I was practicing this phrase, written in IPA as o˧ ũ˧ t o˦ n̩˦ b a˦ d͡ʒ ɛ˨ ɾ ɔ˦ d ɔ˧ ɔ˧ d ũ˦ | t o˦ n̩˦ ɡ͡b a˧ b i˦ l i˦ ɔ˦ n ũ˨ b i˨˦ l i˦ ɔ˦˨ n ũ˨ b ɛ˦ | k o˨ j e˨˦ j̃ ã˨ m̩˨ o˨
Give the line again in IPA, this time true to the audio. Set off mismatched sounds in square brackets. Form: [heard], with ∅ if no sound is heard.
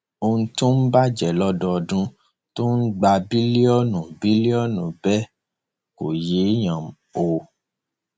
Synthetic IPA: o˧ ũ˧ t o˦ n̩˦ b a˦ d͡ʒ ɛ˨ [l] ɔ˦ d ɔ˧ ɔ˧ d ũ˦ | t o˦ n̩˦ ɡ͡b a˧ b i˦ l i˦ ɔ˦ n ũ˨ b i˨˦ l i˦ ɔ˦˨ n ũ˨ b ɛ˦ | k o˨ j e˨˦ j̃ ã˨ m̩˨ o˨